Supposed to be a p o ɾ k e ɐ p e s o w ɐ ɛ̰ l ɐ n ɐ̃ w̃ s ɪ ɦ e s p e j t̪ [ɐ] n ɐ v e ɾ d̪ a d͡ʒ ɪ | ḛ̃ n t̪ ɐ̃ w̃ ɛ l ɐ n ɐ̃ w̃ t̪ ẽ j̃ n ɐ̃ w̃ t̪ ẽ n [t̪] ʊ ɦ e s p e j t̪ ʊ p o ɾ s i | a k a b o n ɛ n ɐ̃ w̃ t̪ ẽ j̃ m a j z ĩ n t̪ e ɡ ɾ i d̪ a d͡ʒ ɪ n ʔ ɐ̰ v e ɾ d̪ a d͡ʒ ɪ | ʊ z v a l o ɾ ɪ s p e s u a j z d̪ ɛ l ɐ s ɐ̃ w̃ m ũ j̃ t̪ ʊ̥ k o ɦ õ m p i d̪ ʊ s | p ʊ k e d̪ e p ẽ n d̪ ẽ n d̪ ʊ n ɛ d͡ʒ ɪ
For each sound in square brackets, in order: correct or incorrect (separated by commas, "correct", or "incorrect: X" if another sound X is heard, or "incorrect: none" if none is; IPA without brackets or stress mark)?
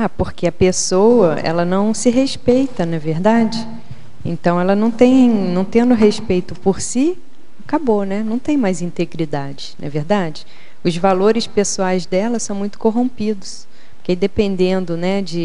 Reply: correct, incorrect: d̪